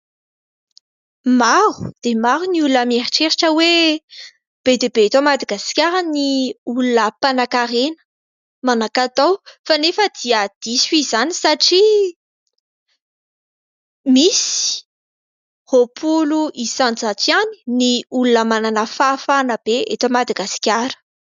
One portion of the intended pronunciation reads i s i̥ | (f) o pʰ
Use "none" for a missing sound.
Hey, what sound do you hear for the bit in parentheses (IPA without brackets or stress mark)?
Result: h